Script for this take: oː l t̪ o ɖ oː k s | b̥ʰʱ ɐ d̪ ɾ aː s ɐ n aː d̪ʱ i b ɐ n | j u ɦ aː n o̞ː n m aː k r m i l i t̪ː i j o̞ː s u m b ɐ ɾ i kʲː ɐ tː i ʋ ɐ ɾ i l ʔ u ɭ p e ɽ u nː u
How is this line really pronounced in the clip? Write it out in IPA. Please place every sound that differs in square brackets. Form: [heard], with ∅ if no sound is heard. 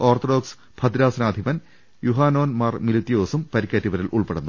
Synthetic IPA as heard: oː [r] t̪ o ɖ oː k s | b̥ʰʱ ɐ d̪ ɾ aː s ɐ n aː d̪ʱ i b ɐ n | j u ɦ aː n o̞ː n m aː [∅] r m i l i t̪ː i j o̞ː s u m [p] ɐ ɾ i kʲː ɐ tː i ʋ ɐ ɾ i l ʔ u ɭ p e ɽ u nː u